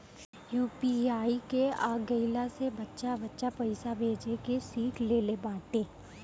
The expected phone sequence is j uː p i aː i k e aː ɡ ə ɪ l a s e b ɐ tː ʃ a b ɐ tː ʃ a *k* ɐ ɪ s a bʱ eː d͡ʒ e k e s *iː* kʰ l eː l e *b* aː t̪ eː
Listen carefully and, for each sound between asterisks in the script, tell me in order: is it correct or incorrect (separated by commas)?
incorrect, correct, correct